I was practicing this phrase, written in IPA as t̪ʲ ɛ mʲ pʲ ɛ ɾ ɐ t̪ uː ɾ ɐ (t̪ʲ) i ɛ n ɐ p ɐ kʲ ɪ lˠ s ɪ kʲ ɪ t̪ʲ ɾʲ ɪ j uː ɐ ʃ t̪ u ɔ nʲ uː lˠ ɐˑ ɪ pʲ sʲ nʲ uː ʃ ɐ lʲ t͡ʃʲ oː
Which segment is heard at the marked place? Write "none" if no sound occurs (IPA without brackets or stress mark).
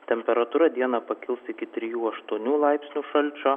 d̪ʲ